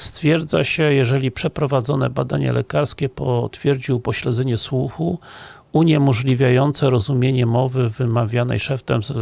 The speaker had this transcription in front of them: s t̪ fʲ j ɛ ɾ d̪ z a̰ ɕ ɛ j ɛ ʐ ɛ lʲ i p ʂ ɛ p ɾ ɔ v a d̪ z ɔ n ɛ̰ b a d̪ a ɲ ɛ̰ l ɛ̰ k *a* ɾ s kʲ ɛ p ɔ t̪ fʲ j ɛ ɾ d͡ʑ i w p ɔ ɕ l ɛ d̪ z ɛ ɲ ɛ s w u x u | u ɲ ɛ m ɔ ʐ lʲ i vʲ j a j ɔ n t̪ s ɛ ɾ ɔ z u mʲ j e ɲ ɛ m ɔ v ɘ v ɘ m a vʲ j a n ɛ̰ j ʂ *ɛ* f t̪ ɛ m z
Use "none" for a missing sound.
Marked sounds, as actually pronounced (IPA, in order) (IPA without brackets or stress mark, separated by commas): a, ɛ